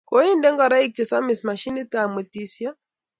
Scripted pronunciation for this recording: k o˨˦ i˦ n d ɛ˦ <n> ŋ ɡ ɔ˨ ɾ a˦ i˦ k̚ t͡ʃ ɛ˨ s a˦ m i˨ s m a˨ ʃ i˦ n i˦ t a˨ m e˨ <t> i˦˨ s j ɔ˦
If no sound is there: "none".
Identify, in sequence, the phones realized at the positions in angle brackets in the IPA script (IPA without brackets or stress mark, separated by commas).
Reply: none, t